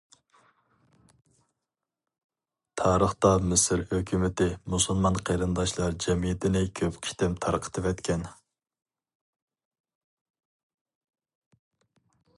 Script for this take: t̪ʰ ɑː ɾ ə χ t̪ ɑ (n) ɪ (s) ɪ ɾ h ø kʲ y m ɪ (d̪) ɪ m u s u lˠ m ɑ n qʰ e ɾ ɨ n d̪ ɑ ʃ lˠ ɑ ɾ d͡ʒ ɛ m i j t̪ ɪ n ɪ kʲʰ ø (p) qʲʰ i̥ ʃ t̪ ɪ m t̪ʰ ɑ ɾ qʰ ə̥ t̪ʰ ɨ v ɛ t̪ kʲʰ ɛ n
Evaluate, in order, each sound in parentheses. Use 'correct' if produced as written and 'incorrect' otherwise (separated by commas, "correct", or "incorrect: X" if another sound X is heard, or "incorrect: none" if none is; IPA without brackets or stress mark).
incorrect: m, correct, incorrect: t̪, correct